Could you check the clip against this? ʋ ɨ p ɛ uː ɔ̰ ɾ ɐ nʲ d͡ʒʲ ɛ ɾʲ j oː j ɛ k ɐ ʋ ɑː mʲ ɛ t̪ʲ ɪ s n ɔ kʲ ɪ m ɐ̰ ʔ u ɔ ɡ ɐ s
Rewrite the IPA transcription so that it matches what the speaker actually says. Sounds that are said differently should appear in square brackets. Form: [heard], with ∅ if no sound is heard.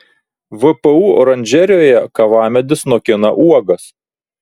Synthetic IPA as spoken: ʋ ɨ p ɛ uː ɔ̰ ɾ ɐ nʲ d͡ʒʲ ɛ ɾʲ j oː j ɛ k ɐ ʋ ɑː mʲ ɛ [d̪ʲ] ɪ s n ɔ kʲ ɪ [n] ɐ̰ ʔ u ɔ ɡ ɐ s